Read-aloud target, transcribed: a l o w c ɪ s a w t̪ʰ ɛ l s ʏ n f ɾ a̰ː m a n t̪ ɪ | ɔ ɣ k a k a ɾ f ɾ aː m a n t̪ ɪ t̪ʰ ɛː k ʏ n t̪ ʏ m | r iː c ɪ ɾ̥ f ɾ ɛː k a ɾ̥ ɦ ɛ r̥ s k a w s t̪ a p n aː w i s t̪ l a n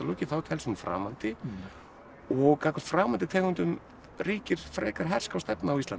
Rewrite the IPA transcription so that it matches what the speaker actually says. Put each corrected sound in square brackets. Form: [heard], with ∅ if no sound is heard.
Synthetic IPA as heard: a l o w c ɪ [θ] a w t̪ʰ ɛ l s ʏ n f ɾ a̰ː m a n t̪ ɪ | ɔ ɣ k a k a ɾ f ɾ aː m a n t̪ ɪ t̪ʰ ɛː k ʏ n t̪ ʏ m | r iː c ɪ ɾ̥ f ɾ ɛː k a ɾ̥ ɦ ɛ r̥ s k a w s t̪ [ɛ] p n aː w i s t̪ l a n